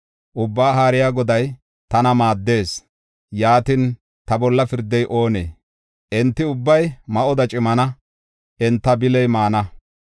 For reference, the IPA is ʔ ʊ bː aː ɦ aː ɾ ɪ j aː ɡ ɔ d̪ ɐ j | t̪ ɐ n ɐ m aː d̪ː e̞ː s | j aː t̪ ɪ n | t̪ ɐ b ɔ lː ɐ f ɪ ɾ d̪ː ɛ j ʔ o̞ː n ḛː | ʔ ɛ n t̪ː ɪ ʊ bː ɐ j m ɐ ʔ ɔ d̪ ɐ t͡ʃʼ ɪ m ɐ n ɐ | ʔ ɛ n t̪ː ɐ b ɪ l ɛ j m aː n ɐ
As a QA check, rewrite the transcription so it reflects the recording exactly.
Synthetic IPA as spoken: ʔ ʊ bː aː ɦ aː ɾ ɪ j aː ɡ ɔ d̪ ɐ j | t̪ ɐ n ɐ m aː d̪ː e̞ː s | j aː t̪ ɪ n | t̪ ɐ b ɔ lː ɐ f ɪ ɾ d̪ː ɛ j ʔ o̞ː n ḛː | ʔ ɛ n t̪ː ɪ ʊ bː ɐ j m ɐ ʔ ɔ d̪ ɐ t͡ʃʼ ɪ m ɐ n ɐ | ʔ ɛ n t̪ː ɐ b ɪ l ɛ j m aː n ɐ